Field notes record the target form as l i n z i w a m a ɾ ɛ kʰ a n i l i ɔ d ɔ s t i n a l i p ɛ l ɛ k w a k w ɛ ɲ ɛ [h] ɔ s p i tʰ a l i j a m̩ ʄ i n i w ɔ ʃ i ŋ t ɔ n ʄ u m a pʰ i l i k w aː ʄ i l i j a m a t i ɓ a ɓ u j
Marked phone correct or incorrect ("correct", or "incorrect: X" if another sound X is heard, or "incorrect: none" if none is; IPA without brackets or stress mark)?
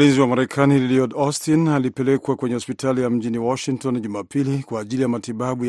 correct